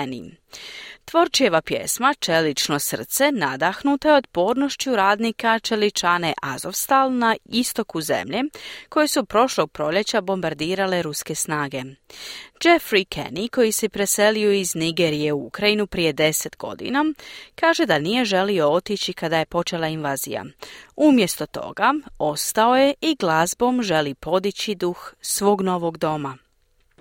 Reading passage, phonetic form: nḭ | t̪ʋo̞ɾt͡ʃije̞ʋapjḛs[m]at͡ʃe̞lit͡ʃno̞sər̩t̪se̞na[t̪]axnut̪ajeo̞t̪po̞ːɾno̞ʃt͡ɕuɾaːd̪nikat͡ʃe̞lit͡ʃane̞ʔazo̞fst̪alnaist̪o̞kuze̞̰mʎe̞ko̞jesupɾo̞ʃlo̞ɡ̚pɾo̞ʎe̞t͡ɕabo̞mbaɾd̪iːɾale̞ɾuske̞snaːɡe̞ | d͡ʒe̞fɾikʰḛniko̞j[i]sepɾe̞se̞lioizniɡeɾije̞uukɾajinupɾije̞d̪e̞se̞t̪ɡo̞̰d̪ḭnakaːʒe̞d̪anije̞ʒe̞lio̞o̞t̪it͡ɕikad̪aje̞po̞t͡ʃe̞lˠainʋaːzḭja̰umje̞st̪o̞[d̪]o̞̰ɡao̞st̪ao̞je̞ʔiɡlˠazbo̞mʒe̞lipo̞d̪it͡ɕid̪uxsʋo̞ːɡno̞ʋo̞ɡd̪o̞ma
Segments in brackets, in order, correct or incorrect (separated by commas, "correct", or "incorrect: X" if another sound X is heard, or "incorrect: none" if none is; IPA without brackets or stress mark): correct, incorrect: d̪, correct, incorrect: t̪